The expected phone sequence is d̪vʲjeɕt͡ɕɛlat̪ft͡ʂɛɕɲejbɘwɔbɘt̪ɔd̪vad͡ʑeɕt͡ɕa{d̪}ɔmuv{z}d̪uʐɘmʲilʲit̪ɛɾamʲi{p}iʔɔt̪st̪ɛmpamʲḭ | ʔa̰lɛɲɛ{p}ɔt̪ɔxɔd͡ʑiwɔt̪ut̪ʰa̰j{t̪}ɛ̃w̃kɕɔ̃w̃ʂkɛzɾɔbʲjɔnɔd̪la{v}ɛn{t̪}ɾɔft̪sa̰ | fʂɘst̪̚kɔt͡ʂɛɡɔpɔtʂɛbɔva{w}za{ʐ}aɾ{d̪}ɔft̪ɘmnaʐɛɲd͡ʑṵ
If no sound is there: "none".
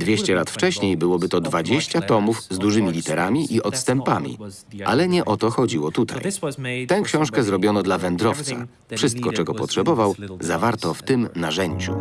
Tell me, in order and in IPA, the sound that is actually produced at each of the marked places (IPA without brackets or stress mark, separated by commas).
t̪, z, ʔ, ʔ, t̪, v, d̪, w, v, t̪